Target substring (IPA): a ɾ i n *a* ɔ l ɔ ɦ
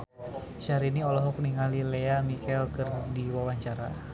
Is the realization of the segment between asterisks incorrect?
yes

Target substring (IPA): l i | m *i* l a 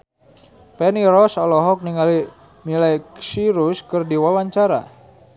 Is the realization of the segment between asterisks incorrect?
no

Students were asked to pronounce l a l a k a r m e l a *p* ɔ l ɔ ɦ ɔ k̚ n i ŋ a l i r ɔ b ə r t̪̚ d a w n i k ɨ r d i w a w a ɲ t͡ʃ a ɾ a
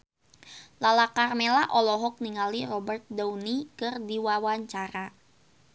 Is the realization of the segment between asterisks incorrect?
yes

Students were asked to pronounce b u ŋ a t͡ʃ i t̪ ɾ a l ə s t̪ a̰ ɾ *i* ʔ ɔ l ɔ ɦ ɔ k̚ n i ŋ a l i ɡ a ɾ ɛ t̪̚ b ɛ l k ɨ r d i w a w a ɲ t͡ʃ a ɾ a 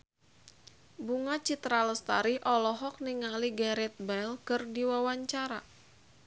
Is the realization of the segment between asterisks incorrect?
no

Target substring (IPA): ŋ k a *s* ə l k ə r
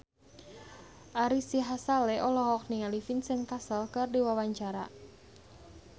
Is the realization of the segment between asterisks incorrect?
no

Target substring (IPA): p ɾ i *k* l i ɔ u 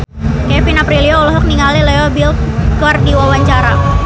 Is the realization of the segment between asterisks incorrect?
yes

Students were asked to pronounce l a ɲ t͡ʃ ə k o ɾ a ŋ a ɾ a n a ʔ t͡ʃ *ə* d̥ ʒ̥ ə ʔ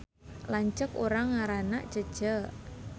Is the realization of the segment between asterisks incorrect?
no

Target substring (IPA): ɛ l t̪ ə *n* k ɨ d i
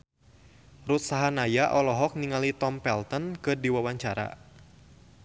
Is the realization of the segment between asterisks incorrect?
no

